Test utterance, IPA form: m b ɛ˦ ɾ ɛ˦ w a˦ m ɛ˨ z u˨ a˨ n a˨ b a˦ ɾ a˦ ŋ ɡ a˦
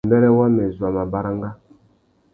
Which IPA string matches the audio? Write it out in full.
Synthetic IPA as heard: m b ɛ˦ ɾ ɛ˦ w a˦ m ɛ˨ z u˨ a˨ m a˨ b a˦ ɾ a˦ ŋ ɡ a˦

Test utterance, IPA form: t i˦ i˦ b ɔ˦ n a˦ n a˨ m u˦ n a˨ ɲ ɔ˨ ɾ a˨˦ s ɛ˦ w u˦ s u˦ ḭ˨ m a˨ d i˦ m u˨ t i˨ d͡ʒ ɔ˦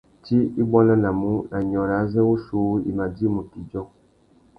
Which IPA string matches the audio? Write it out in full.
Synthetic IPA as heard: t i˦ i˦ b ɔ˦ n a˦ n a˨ m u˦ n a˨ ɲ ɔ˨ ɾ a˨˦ z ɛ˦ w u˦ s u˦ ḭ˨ m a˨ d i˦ m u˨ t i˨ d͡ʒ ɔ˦

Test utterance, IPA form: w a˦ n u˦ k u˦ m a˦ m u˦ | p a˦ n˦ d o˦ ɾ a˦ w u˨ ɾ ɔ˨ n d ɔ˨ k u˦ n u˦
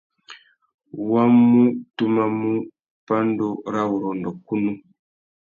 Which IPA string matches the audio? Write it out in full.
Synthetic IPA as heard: w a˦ m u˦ t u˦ m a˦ m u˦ | p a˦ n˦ d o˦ ɾ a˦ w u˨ ɾ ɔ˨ n d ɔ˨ k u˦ n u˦

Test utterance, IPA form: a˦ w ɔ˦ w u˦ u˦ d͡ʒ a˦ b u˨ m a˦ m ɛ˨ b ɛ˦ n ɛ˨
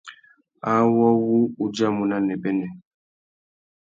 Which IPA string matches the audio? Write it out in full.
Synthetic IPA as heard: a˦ w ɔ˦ w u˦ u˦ d͡ʒ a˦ m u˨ n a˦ n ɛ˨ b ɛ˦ n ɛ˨

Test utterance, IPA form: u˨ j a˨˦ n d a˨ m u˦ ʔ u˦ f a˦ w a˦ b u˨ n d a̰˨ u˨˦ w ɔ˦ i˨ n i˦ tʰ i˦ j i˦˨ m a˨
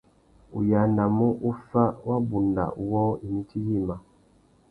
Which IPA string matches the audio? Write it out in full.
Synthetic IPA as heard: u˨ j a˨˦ n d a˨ m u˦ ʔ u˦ f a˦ w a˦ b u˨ n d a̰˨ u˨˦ w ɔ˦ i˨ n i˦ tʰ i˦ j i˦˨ m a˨

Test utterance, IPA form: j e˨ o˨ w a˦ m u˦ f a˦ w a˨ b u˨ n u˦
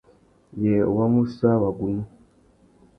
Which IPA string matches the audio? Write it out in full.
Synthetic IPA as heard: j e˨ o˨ w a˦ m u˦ s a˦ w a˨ ɡ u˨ n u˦

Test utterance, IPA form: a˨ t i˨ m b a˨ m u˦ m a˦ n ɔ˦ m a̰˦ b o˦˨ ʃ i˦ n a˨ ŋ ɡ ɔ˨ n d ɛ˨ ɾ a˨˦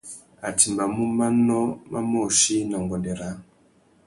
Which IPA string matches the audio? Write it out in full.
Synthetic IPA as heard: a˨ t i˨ m b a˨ m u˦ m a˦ n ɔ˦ m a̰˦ m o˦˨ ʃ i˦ n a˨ ŋ ɡ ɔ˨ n d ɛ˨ ɾ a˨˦

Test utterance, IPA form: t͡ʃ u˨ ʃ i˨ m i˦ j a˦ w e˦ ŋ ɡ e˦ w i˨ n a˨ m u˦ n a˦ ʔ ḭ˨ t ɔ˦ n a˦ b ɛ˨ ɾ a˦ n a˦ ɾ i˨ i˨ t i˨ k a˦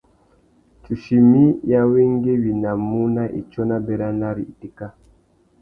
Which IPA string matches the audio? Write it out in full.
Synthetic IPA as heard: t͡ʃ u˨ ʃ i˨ m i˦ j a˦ w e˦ ŋ ɡ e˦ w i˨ n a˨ m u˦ n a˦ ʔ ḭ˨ t͡ʃ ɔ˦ n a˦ b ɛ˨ ɾ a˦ n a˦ ɾ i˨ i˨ t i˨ k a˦

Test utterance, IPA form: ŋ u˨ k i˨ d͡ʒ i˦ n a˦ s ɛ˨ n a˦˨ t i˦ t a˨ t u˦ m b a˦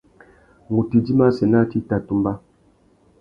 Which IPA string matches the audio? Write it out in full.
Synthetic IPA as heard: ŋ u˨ t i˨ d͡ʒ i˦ m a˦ s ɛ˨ n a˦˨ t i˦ t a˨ t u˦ m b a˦

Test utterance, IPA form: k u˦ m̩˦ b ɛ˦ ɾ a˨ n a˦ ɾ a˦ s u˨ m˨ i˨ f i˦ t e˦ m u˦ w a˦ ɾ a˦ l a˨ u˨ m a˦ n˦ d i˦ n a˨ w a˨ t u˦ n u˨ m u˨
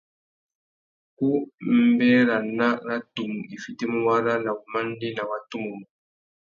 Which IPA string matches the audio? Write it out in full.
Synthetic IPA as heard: k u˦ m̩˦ b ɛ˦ ɾ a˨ n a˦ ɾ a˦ t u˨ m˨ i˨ f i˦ t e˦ m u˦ w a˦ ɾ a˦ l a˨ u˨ m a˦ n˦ d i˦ n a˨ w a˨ t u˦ m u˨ m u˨

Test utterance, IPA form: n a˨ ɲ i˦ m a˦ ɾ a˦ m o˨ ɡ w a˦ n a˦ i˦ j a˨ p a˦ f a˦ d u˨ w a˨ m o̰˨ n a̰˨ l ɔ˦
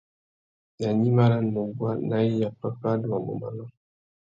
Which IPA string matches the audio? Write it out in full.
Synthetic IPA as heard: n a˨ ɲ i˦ m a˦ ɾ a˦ n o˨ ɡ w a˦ n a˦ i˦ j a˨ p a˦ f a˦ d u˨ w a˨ m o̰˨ m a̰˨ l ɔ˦

